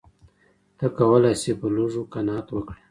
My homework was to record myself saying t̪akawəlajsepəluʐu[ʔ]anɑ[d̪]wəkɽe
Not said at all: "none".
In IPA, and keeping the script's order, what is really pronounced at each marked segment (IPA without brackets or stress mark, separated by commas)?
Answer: k, t̪